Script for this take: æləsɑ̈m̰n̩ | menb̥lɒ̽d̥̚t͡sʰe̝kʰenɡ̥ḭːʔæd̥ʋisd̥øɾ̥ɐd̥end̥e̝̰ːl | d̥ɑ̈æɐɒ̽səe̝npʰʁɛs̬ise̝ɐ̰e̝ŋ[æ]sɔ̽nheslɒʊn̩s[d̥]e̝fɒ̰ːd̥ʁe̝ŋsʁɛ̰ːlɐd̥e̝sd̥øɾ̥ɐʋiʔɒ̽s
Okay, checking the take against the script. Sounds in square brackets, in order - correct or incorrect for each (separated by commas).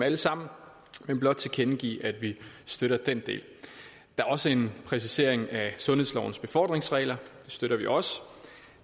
correct, incorrect